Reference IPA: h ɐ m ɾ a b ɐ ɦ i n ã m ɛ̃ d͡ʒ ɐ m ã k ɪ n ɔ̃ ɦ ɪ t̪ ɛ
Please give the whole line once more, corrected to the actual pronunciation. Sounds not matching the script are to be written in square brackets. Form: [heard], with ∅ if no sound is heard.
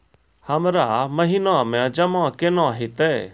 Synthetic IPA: h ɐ m ɾ a [m] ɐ ɦ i n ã m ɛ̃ d͡ʒ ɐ m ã k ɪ n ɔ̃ ɦ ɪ t̪ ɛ